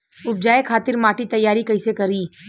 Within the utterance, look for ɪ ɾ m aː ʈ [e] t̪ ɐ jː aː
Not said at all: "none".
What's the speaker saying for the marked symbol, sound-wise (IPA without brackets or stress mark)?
i